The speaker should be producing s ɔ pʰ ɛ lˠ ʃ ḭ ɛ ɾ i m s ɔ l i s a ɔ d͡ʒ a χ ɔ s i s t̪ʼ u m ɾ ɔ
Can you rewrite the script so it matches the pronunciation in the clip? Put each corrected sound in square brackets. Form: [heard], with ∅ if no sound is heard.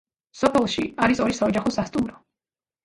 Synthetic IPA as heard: s ɔ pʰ ɛ lˠ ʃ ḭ [a] ɾ i [∅] s ɔ [ɾ] i s a ɔ d͡ʒ a χ ɔ s [a] s t̪ʼ u m ɾ ɔ